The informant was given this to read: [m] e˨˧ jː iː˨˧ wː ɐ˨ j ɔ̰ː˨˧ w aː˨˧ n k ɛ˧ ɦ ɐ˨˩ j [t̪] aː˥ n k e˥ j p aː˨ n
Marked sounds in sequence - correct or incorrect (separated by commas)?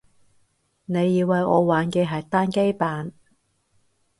incorrect, correct